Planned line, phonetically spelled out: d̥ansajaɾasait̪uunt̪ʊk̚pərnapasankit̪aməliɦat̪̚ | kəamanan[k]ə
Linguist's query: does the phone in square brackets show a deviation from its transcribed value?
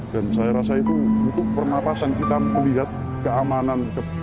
no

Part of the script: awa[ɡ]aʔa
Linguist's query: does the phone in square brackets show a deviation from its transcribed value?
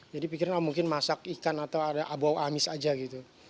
yes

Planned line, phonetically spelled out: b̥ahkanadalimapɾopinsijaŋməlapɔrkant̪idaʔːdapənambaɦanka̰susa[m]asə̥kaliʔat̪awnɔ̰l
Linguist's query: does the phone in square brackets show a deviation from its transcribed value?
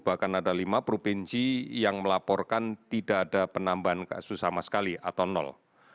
no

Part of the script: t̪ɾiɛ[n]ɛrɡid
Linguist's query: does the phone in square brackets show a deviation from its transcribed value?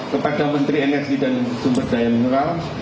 no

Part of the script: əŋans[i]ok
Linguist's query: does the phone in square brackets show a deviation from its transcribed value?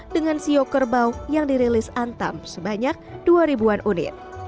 no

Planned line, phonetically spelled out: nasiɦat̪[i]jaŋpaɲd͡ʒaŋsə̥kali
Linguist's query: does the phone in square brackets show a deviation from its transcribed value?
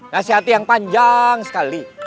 no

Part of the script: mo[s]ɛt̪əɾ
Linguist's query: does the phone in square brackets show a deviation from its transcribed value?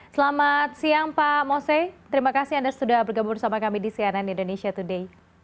no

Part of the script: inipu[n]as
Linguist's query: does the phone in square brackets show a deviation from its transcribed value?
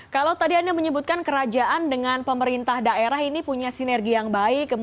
yes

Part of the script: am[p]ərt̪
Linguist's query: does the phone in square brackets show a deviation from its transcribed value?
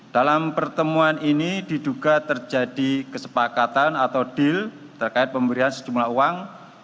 no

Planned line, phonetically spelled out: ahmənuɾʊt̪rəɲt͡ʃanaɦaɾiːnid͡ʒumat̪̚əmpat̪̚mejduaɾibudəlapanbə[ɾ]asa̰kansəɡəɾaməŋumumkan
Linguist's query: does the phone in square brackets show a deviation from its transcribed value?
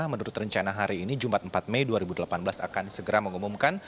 yes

